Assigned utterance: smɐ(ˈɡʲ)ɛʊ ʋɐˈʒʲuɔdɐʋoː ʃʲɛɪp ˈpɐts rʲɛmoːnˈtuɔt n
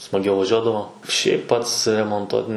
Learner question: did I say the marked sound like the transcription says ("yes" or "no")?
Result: yes